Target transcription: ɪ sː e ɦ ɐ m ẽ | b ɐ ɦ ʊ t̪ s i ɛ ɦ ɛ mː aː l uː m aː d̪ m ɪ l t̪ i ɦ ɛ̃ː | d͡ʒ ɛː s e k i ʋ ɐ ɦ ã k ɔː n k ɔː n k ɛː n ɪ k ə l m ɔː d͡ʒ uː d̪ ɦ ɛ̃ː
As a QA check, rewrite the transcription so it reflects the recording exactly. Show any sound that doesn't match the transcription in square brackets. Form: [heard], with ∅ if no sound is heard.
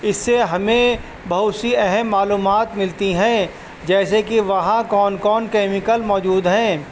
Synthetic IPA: ɪ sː e ɦ ɐ m ẽ | b ɐ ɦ ʊ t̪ s i ɛ ɦ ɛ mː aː l uː m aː [t̪] m ɪ l t̪ i ɦ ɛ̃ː | d͡ʒ ɛː s e k i ʋ ɐ ɦ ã k ɔː n k ɔː n k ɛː [m] ɪ k ə l m ɔː d͡ʒ uː d̪ ɦ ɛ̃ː